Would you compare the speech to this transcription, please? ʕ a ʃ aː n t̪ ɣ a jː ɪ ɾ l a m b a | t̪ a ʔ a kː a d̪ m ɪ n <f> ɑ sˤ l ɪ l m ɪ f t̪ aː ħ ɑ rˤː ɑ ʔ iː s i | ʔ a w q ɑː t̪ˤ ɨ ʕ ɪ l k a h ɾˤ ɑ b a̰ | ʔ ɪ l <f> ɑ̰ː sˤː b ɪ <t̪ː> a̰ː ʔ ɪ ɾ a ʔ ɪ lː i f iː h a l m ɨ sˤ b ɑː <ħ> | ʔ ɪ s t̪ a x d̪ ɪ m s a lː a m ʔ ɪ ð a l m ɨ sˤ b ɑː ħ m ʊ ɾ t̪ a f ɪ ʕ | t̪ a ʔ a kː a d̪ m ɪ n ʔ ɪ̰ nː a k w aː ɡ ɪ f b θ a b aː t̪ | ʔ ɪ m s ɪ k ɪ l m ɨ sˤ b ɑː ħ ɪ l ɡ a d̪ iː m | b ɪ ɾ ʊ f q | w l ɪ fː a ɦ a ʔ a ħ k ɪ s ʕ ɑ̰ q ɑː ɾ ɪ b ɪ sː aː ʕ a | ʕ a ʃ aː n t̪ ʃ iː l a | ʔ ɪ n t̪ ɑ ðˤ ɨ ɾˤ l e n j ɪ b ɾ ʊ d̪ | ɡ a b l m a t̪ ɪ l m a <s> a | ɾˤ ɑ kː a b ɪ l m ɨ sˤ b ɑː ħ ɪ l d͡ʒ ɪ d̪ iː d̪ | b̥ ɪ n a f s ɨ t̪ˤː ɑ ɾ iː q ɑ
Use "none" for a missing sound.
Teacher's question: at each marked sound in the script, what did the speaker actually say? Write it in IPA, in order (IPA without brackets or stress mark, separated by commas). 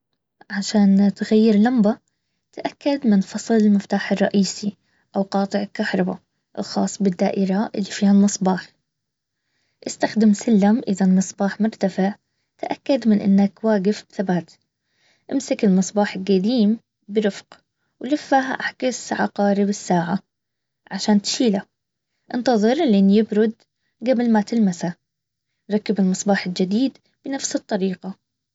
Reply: f, x, d̪ː, ħ, s